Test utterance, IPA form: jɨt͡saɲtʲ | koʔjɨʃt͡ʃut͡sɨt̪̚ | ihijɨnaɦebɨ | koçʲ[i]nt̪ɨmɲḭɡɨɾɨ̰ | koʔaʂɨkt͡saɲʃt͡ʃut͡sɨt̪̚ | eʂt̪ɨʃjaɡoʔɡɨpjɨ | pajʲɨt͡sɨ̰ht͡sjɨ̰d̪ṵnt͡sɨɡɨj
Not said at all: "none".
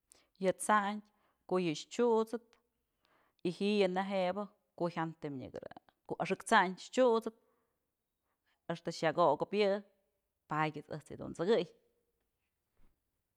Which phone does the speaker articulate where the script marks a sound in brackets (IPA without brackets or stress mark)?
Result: a